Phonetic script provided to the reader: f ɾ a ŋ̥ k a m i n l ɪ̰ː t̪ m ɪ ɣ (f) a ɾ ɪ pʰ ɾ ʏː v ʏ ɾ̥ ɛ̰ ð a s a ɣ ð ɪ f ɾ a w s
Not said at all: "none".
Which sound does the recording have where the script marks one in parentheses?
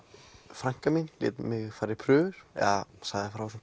f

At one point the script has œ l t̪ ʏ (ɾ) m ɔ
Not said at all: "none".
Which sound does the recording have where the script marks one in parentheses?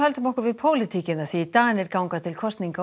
none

